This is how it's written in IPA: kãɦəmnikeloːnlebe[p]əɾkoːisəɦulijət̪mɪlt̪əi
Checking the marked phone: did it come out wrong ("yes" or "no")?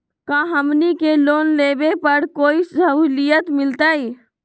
no